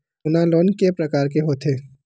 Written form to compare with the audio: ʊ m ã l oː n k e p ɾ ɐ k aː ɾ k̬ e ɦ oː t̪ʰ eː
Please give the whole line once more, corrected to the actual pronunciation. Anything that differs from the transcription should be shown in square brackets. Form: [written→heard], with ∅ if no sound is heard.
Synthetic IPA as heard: ʊ [m→n] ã l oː n k e p ɾ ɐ k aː ɾ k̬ e ɦ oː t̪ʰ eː